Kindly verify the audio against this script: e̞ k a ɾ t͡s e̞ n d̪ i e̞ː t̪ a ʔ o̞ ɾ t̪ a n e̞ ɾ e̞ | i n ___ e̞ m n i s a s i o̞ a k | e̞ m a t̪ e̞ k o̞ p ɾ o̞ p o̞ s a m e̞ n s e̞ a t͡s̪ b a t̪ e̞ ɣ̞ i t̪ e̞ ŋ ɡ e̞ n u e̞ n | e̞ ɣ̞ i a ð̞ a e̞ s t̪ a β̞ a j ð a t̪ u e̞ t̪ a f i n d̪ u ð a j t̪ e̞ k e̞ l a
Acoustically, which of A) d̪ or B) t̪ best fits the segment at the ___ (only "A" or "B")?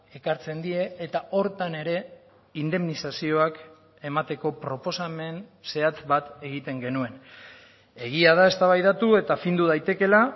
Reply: A